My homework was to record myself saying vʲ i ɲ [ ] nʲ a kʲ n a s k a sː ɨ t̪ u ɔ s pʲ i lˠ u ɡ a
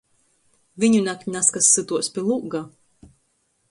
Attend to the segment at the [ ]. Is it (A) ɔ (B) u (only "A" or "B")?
B